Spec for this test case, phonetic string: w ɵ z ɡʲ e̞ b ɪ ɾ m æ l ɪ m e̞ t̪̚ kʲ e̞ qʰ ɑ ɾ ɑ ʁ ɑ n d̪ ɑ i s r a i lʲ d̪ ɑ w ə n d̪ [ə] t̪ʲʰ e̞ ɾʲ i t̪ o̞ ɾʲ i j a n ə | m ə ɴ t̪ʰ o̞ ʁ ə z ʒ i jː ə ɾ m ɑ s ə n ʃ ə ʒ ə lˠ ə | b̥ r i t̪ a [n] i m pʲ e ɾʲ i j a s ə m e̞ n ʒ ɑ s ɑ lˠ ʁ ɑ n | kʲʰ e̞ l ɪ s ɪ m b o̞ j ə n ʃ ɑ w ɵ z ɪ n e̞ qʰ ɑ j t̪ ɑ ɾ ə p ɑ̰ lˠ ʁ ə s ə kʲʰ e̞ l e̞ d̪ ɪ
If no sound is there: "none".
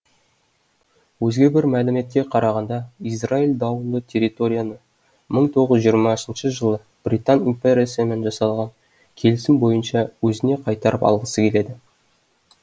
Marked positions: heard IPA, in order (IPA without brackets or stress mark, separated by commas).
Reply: ə, n